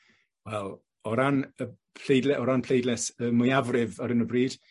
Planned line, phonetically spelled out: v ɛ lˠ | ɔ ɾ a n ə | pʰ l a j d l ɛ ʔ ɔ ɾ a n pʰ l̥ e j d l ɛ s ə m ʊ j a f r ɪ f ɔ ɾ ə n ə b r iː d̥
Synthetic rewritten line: w ɛ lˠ | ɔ ɾ a n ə | pʰ l e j d l ɛ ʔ ɔ ɾ a n pʰ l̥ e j d l ɛ s ə m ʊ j a v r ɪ v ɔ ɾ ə n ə b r iː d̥